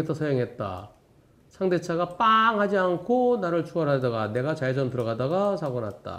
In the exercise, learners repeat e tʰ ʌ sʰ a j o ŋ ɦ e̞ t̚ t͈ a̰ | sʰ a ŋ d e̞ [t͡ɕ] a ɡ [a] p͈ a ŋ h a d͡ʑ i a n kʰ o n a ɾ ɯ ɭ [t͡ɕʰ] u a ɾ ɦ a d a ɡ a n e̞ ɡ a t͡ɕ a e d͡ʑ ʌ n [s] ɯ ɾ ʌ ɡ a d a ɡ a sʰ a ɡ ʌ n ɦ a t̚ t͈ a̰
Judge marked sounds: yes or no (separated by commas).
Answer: no, yes, yes, no